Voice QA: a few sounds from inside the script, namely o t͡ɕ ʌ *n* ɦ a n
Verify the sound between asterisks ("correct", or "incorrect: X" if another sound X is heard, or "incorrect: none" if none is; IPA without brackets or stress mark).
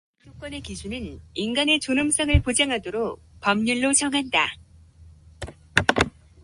incorrect: ŋ